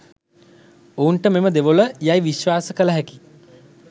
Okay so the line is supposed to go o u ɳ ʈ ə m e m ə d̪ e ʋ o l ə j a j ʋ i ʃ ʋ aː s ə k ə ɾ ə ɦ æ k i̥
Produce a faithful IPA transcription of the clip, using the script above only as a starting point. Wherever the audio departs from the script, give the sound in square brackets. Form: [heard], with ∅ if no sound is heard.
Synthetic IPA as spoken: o u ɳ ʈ ə m e m ə d̪ e ʋ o l ə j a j ʋ i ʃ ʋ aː s ə k ə [l] ə ɦ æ k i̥

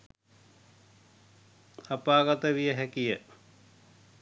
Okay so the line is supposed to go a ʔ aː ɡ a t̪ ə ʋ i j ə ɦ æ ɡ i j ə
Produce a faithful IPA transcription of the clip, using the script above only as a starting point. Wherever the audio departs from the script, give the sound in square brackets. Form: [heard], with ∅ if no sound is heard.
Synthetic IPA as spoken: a [p] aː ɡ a t̪ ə ʋ i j ə ɦ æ [k] i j ə

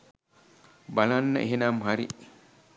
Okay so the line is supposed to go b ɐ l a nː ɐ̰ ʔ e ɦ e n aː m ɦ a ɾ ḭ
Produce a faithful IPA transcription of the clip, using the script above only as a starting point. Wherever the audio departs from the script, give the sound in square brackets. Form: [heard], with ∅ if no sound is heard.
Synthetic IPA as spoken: b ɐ l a nː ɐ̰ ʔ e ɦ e n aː m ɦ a ɾ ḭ

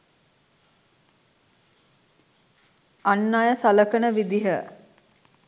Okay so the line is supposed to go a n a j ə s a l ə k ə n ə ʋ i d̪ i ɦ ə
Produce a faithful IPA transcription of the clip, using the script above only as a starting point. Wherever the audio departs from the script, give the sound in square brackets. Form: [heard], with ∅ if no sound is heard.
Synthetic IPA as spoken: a [nː] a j ə s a l ə k ə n ə ʋ i d̪ i ɦ ə

